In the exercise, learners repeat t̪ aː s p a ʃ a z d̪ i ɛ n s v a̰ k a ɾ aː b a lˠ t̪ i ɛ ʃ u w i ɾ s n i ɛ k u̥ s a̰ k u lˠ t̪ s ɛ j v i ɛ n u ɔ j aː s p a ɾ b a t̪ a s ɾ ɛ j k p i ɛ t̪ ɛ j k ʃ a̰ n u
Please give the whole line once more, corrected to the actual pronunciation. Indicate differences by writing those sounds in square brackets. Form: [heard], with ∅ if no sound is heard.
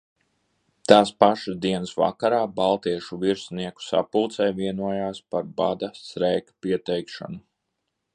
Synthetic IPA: t̪ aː s p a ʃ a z d̪ i ɛ n s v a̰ k a ɾ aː b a lˠ t̪ i ɛ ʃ u [v] i ɾ s n i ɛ k u̥ s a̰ [p] u lˠ t̪ s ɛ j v i ɛ n u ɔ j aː s p a ɾ b a [d̪] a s ɾ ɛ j k p i ɛ t̪ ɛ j k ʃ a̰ n u